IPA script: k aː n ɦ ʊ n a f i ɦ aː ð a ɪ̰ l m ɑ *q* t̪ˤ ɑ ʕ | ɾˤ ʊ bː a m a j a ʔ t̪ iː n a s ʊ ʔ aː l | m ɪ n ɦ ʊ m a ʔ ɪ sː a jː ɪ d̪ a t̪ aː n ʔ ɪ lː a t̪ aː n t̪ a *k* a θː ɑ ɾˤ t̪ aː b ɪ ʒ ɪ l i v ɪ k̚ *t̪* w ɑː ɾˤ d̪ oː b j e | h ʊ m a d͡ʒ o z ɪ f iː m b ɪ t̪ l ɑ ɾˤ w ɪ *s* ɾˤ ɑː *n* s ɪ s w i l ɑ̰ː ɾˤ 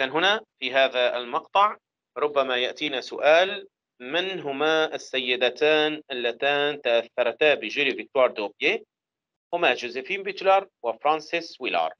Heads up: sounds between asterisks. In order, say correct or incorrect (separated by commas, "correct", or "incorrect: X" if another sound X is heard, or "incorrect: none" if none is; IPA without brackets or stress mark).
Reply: correct, incorrect: ʔ, correct, incorrect: f, correct